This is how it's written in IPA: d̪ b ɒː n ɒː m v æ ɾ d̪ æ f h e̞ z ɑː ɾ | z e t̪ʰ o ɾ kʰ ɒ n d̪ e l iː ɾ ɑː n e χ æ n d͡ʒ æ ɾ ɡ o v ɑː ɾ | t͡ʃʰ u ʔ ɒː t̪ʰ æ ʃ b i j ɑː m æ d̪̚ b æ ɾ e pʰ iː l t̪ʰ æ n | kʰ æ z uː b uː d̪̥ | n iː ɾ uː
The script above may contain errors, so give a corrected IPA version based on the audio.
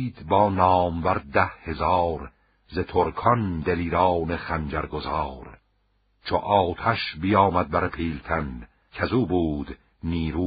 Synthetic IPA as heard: d̪ b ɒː n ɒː m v æ ɾ d̪ æ h h e̞ z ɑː ɾ | z e t̪ʰ o ɾ kʰ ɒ n d̪ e l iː ɾ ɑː n e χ æ n d͡ʒ æ ɾ ɡ o z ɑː ɾ | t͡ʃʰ o ʔ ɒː t̪ʰ æ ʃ b i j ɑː m æ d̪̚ b æ ɾ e pʰ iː l t̪ʰ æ n | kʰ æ z uː b uː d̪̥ | n iː ɾ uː